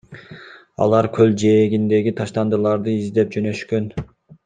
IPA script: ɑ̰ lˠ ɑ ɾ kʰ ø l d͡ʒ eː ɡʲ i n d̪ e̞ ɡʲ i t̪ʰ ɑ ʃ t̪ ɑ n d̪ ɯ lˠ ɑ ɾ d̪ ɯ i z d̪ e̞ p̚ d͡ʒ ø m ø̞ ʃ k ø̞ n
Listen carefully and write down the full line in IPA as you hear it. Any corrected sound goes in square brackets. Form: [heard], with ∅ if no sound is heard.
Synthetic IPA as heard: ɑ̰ lˠ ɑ ɾ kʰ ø l d͡ʒ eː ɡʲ i n d̪ e̞ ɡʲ i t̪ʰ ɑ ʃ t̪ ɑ n d̪ ɯ lˠ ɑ ɾ d̪ ɯ i z d̪ e̞ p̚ d͡ʒ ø [n] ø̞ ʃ k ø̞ n